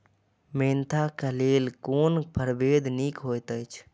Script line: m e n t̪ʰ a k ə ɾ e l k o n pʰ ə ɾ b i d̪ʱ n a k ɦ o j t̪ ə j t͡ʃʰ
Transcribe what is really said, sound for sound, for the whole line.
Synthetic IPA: m e n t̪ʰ a k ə l e l k o n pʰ ə ɾ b e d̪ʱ n i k ɦ o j t̪ ə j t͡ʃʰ